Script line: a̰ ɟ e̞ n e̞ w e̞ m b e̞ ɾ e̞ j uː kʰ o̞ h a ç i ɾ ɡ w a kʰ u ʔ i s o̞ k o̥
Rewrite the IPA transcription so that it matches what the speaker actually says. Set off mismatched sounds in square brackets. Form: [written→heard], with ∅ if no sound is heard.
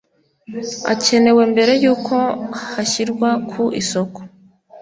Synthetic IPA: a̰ [ɟ→c] e̞ n e̞ w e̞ m b e̞ ɾ e̞ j uː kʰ o̞ h a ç i ɾ ɡ w a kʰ u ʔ i s o̞ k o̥